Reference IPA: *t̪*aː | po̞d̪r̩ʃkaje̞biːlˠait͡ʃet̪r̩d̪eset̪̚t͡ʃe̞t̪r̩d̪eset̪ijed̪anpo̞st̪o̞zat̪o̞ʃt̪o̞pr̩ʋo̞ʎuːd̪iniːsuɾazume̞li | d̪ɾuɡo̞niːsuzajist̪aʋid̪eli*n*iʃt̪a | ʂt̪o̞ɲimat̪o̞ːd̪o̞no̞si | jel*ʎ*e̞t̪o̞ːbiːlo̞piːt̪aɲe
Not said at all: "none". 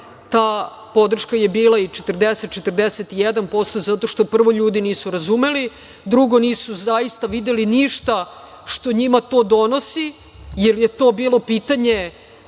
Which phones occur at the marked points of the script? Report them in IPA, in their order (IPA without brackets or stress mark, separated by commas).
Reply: t̪, n, j